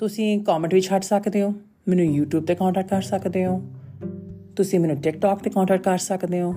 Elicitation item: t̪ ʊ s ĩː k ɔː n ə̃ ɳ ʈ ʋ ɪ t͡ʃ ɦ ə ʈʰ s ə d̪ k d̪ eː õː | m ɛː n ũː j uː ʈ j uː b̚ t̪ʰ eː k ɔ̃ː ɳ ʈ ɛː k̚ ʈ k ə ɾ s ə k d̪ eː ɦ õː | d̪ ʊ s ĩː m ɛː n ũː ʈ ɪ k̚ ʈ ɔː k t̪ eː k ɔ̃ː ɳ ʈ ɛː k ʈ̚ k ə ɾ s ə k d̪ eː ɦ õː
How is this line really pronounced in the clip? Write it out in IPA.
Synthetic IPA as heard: t̪ ʊ s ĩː k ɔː m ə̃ ɳ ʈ ʋ ɪ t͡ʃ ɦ ə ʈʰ s ə k d̪ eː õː | m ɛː n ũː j uː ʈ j uː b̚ t̪ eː k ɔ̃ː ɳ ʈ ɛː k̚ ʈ k ə ɾ s ə k d̪ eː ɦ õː | t̪ ʊ s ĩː m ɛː n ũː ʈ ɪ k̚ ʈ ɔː k t̪ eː k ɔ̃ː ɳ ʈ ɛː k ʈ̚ k ə ɾ s ə k d̪ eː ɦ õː